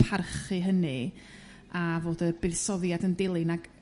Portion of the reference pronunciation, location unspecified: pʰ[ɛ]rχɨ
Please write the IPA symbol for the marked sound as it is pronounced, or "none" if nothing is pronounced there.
a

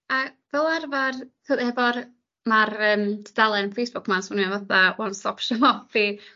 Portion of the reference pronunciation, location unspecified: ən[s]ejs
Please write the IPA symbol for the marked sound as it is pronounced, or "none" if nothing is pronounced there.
f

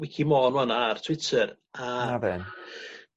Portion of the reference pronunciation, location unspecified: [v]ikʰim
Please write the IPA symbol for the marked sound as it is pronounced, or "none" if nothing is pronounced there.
w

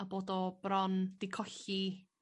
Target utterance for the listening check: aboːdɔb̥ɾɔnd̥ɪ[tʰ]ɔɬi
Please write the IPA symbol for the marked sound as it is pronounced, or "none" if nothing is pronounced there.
kʰ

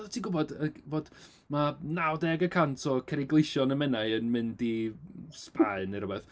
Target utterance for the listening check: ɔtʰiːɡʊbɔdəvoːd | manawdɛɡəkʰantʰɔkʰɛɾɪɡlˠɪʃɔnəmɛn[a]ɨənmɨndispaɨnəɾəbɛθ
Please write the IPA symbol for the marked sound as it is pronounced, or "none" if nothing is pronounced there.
a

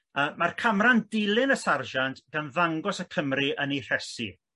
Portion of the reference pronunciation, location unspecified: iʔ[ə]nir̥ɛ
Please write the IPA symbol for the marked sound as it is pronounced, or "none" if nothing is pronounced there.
ə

